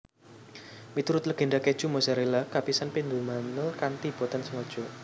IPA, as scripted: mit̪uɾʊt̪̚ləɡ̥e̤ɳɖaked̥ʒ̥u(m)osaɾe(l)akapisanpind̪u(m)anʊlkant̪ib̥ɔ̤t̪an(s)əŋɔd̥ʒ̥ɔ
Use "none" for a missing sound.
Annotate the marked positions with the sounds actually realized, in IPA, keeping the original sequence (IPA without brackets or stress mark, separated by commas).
m, l, m, s